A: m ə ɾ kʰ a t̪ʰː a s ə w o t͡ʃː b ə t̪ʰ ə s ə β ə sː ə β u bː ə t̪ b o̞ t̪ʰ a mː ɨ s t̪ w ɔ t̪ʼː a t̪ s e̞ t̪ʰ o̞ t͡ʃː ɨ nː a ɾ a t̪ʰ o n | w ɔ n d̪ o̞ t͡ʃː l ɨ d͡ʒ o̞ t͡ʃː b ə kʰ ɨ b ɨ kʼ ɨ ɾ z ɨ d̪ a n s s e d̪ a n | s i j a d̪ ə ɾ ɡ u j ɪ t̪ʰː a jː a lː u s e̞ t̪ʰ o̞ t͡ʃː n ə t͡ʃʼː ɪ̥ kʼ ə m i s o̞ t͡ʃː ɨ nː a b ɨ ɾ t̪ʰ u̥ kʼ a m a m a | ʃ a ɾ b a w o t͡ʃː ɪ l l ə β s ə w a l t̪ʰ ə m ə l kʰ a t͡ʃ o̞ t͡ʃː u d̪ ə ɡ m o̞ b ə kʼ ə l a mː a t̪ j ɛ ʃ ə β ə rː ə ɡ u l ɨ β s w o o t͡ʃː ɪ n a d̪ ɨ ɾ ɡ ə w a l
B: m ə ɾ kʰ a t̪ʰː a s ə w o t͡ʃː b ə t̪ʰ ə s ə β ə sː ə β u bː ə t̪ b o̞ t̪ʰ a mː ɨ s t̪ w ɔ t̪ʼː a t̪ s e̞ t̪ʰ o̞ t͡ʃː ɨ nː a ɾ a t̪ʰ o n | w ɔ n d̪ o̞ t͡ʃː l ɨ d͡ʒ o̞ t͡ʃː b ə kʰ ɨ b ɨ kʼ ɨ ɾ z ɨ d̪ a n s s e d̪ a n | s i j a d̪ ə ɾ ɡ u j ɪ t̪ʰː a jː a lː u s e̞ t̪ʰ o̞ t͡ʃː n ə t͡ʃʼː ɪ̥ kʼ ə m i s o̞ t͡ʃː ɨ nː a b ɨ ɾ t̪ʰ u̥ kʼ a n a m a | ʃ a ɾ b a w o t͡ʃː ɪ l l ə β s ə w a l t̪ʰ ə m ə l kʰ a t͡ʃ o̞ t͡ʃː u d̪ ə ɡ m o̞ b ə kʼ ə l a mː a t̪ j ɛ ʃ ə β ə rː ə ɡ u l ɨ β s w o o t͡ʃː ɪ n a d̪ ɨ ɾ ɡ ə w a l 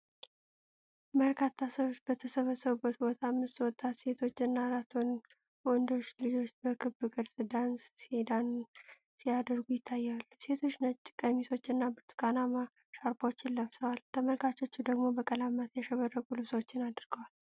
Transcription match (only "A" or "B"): B